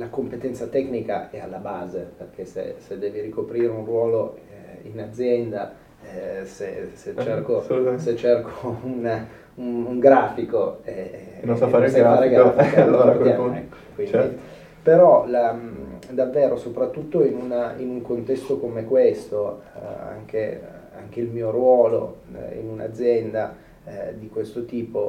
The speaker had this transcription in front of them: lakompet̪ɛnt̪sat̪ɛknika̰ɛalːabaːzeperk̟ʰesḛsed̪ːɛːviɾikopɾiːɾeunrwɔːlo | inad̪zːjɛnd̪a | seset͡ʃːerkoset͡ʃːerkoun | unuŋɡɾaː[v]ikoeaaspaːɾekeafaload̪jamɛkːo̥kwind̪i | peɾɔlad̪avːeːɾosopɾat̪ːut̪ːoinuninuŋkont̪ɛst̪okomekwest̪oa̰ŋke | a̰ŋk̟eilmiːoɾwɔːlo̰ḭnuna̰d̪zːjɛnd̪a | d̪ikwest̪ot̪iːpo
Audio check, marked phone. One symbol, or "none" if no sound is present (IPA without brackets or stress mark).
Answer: f